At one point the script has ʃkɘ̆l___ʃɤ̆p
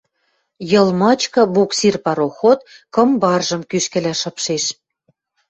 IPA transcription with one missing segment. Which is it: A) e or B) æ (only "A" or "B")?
B